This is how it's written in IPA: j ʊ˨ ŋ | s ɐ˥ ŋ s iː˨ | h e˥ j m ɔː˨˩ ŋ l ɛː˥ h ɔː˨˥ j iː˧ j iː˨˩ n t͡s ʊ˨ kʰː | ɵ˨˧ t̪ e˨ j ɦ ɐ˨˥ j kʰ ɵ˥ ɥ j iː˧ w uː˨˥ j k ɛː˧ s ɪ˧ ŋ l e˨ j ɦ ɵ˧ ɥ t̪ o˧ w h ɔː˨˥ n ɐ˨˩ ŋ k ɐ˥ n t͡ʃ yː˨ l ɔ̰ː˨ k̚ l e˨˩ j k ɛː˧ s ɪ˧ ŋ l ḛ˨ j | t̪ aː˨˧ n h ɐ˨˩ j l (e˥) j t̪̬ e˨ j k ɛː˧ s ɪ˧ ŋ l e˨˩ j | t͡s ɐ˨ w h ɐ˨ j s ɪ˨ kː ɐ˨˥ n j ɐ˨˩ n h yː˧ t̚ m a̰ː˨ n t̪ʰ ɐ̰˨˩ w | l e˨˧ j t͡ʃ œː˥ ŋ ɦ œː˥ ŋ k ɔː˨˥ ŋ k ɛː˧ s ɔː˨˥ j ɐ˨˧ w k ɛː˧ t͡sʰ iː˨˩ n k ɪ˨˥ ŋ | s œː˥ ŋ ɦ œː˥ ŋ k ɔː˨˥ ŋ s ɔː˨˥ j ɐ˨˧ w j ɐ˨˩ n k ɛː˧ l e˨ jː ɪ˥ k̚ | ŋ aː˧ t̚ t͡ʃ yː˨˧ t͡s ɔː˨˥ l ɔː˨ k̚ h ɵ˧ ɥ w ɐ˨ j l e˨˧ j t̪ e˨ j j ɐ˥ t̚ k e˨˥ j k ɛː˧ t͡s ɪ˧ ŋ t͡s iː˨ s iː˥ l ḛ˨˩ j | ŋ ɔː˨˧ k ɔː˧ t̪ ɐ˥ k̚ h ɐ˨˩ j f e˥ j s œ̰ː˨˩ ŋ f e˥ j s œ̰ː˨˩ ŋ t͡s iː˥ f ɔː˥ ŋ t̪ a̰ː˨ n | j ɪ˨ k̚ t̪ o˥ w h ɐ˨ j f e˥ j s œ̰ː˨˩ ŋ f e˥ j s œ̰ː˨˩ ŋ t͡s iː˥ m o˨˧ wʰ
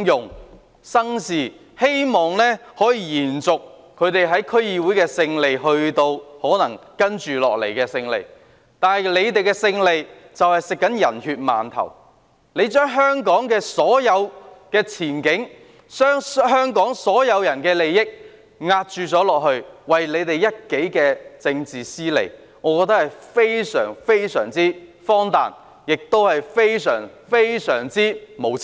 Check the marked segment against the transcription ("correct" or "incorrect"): incorrect